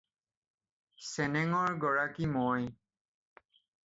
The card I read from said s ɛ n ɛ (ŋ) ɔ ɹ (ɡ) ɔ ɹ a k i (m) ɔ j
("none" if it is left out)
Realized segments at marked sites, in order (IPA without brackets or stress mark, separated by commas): ŋ, ɡ, m